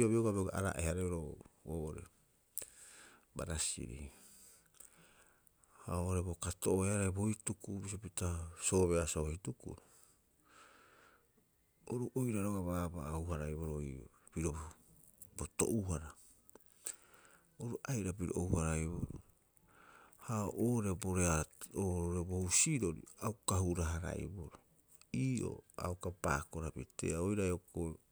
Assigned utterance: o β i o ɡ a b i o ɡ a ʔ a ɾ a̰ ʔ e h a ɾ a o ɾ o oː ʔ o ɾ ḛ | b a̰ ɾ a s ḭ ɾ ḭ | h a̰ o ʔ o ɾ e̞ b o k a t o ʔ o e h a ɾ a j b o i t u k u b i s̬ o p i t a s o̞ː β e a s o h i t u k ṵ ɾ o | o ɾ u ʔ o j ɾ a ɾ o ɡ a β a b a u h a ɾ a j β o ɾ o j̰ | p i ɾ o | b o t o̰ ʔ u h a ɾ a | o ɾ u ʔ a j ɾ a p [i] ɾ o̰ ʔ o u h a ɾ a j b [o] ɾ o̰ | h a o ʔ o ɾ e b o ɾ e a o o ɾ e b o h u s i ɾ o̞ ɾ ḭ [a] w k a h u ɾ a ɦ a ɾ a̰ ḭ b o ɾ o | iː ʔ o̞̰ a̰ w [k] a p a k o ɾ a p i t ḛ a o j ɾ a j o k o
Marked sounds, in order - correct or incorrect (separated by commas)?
correct, correct, correct, correct